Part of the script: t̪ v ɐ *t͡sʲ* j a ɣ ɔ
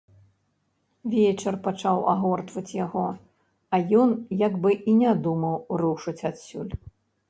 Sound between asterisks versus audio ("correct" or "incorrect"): correct